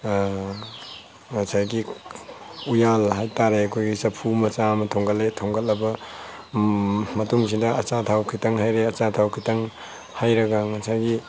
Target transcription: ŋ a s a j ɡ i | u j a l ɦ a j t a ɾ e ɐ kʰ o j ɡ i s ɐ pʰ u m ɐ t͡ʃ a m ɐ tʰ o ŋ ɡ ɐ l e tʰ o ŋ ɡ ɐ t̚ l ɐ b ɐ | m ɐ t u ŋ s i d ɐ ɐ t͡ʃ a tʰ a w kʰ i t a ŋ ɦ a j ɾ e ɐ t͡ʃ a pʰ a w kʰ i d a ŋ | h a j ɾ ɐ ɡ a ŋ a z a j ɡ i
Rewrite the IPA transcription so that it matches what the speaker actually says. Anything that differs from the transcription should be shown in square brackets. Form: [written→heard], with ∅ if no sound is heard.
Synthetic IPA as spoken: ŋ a s a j ɡ i | u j a l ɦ a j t a ɾ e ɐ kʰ o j ɡ i s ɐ pʰ u m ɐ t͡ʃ a m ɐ tʰ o ŋ ɡ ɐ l e tʰ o ŋ ɡ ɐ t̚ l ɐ b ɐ | m ɐ t u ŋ s i d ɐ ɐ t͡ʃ a tʰ a w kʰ i t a ŋ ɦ a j ɾ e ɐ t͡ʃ a [pʰ→tʰ] a w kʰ i [d→t] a ŋ | h a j ɾ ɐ ɡ a ŋ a [z→s] a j ɡ i